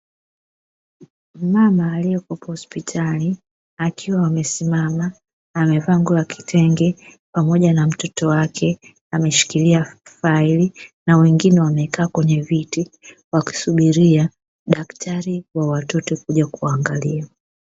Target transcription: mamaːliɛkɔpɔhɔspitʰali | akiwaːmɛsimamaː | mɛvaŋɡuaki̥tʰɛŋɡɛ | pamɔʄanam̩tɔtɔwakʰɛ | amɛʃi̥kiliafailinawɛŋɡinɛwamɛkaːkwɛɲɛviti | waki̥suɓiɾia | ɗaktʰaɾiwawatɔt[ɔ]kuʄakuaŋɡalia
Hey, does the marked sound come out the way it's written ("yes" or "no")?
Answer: yes